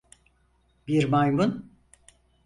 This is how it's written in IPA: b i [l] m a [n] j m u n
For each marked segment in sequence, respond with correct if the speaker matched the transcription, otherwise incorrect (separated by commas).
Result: incorrect, incorrect